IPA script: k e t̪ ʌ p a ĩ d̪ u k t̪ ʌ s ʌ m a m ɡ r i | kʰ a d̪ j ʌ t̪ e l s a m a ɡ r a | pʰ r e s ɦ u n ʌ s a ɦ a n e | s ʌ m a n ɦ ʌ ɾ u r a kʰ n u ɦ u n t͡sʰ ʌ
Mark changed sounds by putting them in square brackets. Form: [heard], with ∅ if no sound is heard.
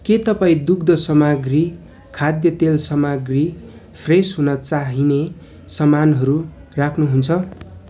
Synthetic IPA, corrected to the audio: k e t̪ ʌ p a ĩ d̪ u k [d̪] ʌ s ʌ m a [∅] ɡ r i | kʰ a d̪ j ʌ t̪ e l s [ʌ] m a ɡ r [i] | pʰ r e s ɦ u n ʌ [t͡s] a ɦ [i] n e | s ʌ m a n ɦ ʌ ɾ u r a kʰ n u ɦ u n t͡sʰ ʌ